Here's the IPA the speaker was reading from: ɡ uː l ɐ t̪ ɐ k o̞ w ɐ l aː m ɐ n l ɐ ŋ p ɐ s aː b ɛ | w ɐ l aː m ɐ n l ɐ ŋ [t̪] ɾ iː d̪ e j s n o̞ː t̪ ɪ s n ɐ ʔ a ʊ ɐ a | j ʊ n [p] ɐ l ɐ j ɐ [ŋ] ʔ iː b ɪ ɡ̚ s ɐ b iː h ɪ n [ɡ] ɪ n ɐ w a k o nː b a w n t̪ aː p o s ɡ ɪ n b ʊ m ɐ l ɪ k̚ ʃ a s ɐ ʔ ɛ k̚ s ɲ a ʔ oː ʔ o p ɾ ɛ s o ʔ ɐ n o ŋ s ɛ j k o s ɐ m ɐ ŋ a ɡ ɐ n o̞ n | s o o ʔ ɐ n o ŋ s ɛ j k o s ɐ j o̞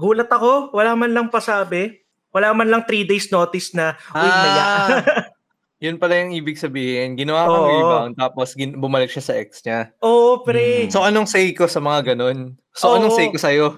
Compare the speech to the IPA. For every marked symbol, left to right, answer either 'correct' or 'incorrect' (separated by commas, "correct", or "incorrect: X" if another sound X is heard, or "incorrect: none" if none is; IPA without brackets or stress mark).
correct, correct, correct, correct